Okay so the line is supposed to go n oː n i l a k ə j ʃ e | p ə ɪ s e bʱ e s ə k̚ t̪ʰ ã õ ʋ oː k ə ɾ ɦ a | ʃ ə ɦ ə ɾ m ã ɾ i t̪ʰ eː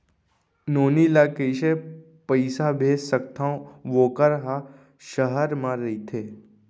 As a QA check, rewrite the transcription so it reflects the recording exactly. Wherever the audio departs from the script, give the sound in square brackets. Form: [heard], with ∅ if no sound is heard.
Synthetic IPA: n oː n i l a k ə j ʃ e | p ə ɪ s [a] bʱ e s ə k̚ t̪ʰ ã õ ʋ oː k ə ɾ ɦ a | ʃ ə ɦ ə ɾ m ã ɾ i t̪ʰ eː

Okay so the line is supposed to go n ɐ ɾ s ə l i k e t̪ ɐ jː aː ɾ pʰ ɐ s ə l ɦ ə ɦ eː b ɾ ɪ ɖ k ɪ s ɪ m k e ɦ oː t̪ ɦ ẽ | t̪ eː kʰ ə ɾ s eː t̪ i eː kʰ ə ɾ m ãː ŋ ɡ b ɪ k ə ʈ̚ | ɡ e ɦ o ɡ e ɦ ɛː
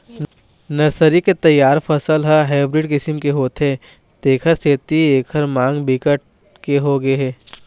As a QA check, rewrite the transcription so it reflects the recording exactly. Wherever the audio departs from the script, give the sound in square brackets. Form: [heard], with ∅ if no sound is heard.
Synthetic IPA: n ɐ ɾ s ə [ɾ] i k e t̪ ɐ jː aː ɾ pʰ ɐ s ə l ɦ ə ɦ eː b ɾ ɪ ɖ k ɪ s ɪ m k e ɦ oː t̪ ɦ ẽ | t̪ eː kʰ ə ɾ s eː t̪ i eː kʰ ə ɾ m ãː ŋ ɡ b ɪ k ə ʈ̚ | [k] e ɦ o ɡ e ɦ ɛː

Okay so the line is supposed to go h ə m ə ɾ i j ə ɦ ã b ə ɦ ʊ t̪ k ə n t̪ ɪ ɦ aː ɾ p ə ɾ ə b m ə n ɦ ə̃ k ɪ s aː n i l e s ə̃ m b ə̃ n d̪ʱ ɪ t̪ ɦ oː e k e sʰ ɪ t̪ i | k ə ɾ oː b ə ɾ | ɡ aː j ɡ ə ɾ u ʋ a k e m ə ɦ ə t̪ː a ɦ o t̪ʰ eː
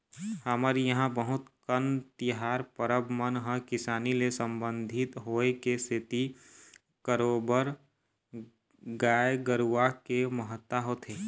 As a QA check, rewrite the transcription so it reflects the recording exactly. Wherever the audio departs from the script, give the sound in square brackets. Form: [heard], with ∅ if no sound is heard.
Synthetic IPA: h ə m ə ɾ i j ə ɦ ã b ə ɦ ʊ t̪ k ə n t̪ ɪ ɦ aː ɾ p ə ɾ ə b m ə n ɦ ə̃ k ɪ s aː n i l e s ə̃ m b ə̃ n d̪ʱ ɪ t̪ ɦ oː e k e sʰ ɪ t̪ i | k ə ɾ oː b ə ɾ | ɡ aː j ɡ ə ɾ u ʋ a k e m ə ɦ ə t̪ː a ɦ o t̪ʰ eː

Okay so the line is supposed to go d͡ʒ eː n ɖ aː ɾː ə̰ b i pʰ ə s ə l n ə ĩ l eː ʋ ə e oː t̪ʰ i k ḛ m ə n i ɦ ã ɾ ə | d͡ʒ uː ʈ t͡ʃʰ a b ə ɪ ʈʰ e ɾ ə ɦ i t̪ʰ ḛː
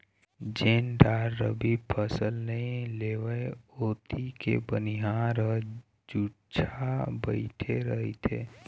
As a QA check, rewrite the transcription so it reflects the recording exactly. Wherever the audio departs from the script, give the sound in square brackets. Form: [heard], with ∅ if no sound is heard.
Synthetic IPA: d͡ʒ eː n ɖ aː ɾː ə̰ b i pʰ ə s ə l n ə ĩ l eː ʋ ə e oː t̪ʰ i k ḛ [b] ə n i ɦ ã ɾ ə | d͡ʒ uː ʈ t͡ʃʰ a b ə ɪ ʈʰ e ɾ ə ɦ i t̪ʰ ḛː

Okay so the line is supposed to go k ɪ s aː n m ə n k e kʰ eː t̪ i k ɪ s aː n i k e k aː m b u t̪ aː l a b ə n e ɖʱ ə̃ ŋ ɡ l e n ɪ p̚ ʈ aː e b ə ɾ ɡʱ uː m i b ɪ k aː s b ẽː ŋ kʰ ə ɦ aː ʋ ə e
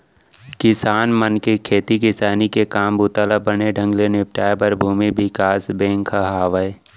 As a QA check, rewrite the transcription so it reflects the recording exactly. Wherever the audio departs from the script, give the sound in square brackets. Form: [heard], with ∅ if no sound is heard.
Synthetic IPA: k ɪ s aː n m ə n k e kʰ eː t̪ i k ɪ s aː n i k e k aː m b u t̪ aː l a b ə n e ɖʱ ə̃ ŋ ɡ l e n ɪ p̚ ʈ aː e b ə ɾ [bʱ] uː m i b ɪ k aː s b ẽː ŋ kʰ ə ɦ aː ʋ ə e

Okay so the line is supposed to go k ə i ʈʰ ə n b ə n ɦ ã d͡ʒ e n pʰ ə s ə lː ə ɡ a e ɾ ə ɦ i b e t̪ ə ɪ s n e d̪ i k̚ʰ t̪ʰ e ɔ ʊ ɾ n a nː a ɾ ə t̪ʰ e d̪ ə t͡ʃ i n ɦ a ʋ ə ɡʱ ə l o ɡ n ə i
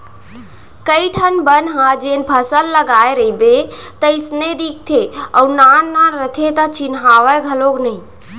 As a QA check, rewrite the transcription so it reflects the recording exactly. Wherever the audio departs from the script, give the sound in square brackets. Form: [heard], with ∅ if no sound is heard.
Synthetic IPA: k ə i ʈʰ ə n b ə n ɦ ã d͡ʒ e n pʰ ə s ə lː ə ɡ a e ɾ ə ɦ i b e t̪ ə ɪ s n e d̪ i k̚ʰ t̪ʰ e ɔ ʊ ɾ n a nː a ɾ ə t̪ʰ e [t̪] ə t͡ʃ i n ɦ a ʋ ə ɡʱ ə l o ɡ n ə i

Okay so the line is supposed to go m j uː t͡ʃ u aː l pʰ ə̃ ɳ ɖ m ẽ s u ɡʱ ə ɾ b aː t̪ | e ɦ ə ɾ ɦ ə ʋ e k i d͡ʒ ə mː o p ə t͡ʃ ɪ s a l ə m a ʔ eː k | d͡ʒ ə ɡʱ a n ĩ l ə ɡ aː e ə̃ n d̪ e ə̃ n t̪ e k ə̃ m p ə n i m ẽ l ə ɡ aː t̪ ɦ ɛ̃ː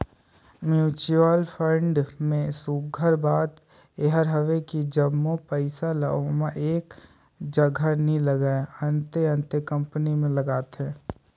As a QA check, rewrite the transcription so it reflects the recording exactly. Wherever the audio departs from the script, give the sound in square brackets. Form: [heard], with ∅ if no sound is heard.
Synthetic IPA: m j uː t͡ʃ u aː l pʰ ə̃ ɳ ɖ m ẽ s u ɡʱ ə ɾ b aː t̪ | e ɦ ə ɾ ɦ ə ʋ e k i d͡ʒ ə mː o p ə [∅] ɪ s a l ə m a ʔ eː k | d͡ʒ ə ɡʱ a n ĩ l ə ɡ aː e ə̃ n [t̪] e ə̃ n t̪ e k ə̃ m p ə n i m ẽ l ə ɡ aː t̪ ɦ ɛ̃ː

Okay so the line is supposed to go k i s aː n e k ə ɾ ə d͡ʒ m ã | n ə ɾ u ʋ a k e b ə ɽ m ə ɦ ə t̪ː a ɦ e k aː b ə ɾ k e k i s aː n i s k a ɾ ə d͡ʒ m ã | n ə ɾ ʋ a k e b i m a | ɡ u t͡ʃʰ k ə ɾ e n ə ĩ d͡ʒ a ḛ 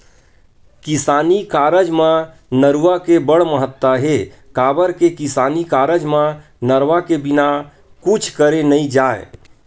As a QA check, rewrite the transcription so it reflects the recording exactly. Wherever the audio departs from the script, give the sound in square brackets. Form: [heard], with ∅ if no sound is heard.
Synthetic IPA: k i s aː n [i] k [a] ɾ ə d͡ʒ m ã | n ə ɾ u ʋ a k e b ə ɽ m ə ɦ ə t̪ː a ɦ e k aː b ə ɾ k e k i s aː n i [∅] k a ɾ ə d͡ʒ m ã | n ə ɾ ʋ a k e b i [n] a | [k] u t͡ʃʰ k ə ɾ e n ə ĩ d͡ʒ a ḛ

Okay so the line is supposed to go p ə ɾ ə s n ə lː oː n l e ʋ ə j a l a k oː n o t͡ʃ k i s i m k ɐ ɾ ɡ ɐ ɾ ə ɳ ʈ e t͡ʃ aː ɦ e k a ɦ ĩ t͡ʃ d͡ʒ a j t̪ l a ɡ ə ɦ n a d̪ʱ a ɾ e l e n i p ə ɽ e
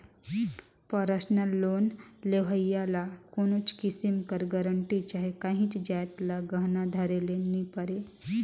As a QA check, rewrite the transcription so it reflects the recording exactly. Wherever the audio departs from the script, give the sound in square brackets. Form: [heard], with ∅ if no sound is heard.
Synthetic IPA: p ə ɾ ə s n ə lː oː n l e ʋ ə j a l a k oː n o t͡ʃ k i s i m k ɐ ɾ ɡ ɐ ɾ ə ɳ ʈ [i] t͡ʃ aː ɦ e k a ɦ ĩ t͡ʃ d͡ʒ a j t̪ l a ɡ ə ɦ n a d̪ʱ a ɾ e l e n i p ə [ɾ] e

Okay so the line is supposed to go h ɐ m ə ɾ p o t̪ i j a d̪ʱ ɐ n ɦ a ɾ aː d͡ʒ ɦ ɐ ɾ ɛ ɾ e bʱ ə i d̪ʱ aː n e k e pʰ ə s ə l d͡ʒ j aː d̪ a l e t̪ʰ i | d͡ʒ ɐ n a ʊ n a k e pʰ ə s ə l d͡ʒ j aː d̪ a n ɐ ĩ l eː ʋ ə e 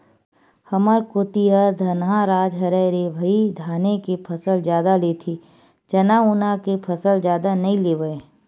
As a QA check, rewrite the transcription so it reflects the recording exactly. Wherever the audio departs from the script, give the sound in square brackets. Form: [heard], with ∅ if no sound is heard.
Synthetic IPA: h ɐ m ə ɾ [k] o t̪ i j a d̪ʱ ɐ n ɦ a ɾ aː d͡ʒ ɦ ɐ ɾ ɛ ɾ e bʱ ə i d̪ʱ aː n e k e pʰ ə s ə l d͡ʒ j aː d̪ a l e t̪ʰ i | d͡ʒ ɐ n a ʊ n a k e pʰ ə s ə l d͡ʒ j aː d̪ a n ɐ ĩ l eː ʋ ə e

